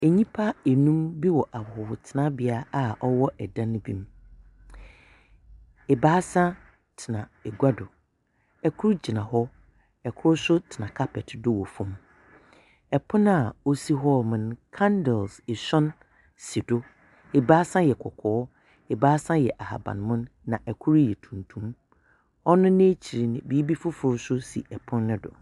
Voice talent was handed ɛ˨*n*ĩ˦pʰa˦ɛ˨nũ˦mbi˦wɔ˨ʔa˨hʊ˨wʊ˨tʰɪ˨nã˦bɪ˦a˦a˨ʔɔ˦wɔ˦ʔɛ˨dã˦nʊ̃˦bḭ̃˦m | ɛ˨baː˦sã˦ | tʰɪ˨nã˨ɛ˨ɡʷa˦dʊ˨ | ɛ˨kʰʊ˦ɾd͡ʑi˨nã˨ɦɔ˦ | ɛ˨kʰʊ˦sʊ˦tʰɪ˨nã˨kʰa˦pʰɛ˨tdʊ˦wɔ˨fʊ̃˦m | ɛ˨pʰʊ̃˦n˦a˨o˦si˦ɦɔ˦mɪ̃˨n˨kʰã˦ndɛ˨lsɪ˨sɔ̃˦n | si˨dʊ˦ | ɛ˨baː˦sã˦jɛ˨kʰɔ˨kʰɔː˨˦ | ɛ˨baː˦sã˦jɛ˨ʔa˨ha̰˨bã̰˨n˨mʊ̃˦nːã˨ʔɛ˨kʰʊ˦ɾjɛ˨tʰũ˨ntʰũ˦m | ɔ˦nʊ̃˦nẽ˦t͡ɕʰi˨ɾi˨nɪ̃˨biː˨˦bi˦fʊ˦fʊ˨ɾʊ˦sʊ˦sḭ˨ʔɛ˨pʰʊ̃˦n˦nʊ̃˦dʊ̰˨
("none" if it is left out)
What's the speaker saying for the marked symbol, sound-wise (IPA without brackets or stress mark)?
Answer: ɲ